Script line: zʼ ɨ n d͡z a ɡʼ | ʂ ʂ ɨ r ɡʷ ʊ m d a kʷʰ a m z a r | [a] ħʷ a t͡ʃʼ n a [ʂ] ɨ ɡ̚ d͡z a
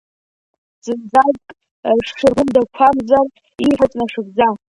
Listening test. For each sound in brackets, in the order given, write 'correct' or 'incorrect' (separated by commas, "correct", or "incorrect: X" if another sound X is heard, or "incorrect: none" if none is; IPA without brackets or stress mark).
incorrect: i, correct